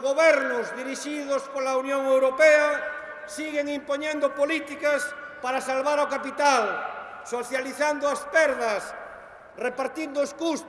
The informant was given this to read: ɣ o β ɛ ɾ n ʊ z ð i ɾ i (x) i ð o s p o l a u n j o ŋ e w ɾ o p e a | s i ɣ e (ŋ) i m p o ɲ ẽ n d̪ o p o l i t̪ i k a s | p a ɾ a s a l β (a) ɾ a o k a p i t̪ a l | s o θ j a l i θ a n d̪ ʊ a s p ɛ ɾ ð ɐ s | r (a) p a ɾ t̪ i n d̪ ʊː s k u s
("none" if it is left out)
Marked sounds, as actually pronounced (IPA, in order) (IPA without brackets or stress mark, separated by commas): ʃ, ŋ, a, e